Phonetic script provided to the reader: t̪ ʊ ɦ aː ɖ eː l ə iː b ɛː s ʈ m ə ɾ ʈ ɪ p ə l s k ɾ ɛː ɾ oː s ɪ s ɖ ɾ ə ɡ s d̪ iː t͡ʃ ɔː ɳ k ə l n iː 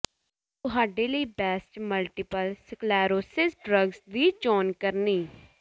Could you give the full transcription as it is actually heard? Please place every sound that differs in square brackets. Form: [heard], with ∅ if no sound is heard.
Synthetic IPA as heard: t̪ ʊ ɦ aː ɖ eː l ə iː b ɛː s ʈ m ə [l] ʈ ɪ p ə l s k [l] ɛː ɾ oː s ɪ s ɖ ɾ ə ɡ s d̪ iː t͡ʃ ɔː [n] k ə [ɾ] n iː